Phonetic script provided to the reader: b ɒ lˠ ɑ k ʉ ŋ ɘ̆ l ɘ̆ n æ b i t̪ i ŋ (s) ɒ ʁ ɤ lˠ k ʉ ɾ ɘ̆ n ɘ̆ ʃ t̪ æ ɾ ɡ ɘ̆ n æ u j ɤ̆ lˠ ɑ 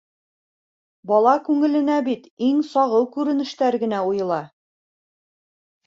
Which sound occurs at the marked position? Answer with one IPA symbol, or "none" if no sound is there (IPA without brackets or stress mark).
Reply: s